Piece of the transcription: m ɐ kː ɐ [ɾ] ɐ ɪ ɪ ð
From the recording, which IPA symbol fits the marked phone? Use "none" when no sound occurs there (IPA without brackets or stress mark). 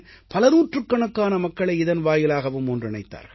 ɭ